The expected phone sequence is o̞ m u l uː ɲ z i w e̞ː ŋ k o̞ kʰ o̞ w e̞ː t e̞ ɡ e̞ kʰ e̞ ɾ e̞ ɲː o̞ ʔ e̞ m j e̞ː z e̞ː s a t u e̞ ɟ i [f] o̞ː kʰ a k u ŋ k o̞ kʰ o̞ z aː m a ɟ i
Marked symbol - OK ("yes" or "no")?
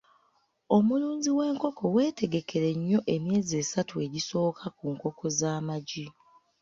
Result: no